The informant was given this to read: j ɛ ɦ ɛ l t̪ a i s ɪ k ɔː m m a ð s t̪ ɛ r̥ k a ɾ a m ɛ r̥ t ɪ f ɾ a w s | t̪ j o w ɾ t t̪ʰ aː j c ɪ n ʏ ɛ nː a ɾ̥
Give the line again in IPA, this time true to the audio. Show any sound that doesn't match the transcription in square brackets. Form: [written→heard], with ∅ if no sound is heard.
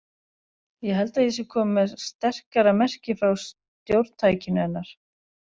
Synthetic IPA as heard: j ɛ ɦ ɛ l t̪ a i s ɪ [k→kʰ] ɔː m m [a→ɛ] ð s t̪ ɛ r̥ k a ɾ a m ɛ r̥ [t→c] ɪ f ɾ a w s | t̪ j o w ɾ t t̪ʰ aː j c ɪ n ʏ ɛ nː a ɾ̥